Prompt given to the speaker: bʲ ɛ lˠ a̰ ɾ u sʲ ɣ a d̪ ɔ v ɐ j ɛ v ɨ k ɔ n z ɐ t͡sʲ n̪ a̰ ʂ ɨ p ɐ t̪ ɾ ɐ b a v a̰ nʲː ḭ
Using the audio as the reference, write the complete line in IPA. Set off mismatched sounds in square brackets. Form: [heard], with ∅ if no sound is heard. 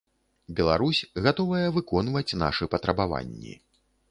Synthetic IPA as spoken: bʲ ɛ lˠ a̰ ɾ u sʲ ɣ a [t̪] ɔ v ɐ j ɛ v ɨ k ɔ n [v] ɐ t͡sʲ n̪ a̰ ʂ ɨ p ɐ t̪ ɾ ɐ b a v a̰ nʲː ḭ